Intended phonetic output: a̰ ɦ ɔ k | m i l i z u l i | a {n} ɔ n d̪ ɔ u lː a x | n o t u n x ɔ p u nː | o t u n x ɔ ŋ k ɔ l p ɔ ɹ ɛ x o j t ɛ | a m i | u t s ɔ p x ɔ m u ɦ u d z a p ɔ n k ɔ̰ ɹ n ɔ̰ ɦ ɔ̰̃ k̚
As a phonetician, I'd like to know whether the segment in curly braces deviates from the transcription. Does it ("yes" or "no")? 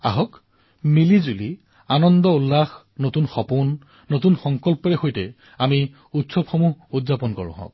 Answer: no